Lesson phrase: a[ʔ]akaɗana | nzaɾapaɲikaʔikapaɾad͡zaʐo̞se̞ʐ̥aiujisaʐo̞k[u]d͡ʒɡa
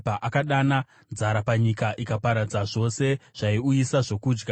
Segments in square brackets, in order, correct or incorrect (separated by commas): correct, incorrect